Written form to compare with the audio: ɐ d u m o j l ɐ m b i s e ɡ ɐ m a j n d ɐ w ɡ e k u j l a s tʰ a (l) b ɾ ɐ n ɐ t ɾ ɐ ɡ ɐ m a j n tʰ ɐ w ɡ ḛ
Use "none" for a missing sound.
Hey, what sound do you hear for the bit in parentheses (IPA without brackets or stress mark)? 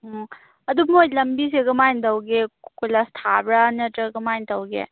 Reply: none